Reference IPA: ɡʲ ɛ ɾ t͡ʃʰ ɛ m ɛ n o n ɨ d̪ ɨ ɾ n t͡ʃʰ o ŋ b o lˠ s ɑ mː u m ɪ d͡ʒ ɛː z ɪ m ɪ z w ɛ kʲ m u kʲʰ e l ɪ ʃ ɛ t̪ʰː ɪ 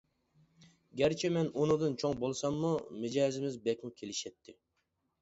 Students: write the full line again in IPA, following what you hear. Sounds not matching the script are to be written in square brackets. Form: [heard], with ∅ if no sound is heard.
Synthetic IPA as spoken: ɡʲ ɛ ɾ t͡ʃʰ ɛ m ɛ n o n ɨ d̪ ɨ [∅] n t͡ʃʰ o ŋ b o lˠ s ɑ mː u m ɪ d͡ʒ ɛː z ɪ m ɪ z [b] ɛ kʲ m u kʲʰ e l ɪ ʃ ɛ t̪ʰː ɪ